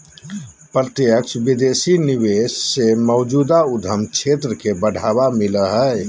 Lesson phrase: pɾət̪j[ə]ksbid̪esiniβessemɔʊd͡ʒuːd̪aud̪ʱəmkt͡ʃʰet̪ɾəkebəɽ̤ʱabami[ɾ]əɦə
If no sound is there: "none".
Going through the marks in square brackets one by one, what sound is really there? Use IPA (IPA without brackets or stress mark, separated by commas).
ə, l